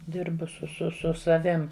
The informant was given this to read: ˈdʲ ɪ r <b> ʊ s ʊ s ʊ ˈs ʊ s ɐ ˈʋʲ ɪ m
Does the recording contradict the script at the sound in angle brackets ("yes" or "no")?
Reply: no